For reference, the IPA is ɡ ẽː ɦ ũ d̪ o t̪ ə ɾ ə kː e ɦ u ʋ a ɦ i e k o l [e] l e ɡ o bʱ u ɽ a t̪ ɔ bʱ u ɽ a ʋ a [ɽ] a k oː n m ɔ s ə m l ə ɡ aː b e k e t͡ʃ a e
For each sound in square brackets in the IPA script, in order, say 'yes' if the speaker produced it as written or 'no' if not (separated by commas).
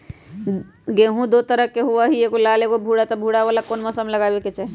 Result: no, no